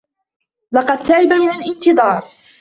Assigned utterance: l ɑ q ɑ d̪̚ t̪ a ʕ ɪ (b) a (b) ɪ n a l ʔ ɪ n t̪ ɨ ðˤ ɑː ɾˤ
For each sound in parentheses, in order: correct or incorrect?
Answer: correct, incorrect

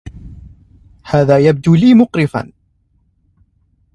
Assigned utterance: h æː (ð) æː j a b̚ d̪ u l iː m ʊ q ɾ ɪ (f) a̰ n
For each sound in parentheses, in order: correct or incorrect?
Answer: correct, correct

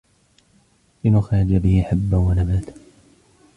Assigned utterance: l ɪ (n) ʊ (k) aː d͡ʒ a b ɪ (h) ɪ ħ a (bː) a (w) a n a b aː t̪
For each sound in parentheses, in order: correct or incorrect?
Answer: correct, incorrect, correct, correct, correct

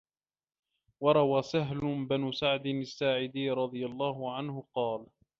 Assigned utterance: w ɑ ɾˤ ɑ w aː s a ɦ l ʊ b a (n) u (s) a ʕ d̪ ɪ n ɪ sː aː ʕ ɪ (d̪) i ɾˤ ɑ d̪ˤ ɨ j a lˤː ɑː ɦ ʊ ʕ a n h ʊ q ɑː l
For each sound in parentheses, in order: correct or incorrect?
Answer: correct, correct, correct

